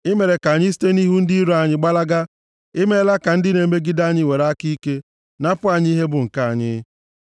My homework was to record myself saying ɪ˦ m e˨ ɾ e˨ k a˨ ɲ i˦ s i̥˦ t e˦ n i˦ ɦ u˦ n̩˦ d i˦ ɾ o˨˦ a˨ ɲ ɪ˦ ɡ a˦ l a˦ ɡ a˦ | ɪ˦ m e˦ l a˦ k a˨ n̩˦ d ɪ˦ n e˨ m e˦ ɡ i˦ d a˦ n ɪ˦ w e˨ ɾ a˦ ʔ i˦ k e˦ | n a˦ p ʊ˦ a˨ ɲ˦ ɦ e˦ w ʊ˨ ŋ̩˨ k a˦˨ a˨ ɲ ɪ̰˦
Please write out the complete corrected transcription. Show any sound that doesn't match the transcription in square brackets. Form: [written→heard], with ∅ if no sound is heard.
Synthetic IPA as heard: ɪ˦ m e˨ ɾ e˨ k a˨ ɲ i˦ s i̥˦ t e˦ n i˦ ɦ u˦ n̩˦ d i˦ ɾ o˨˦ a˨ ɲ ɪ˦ [ɡ→ɡ͡b] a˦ l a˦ ɡ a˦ | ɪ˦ m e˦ l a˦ k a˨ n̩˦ d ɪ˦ n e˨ m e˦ ɡ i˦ d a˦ [n→ɲ] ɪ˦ w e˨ ɾ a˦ [ʔ→k] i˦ k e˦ | n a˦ p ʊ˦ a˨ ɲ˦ ɦ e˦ [w→b] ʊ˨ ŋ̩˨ k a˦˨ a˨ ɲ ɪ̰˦